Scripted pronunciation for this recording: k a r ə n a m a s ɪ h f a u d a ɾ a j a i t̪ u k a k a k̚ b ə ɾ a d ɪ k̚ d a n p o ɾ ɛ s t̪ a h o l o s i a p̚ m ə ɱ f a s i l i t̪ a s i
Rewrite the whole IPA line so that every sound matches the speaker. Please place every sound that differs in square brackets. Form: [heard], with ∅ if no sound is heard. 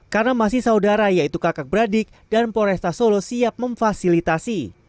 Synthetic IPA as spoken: k a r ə n a m a s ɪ h [s] a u d a ɾ a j a i t̪ u k a k a k̚ b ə ɾ a d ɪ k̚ d a n p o ɾ ɛ s t̪ a [s] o l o s i a p̚ m ə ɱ f a s i l i t̪ a s i